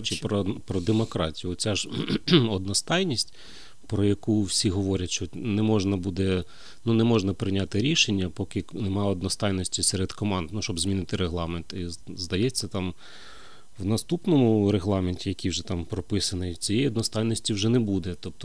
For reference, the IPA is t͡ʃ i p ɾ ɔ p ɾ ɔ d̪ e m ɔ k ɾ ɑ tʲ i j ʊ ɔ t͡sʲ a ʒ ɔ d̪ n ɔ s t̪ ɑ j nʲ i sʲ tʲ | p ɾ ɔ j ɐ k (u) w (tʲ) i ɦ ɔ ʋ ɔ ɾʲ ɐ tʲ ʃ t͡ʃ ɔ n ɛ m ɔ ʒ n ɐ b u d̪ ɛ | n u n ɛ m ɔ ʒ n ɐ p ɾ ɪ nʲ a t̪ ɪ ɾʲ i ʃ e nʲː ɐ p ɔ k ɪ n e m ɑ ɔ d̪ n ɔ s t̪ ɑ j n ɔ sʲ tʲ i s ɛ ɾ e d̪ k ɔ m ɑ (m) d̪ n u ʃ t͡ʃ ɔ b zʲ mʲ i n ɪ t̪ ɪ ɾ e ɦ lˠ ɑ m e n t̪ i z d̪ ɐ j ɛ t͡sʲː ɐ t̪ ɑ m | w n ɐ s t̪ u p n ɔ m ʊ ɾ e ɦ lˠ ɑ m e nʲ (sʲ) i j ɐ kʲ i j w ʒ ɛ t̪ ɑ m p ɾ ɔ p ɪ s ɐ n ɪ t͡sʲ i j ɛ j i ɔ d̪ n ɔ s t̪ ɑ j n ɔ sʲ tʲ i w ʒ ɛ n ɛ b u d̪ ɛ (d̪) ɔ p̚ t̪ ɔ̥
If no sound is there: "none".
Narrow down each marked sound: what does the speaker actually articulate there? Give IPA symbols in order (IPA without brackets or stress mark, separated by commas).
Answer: u, sʲ, n, tʲ, t̪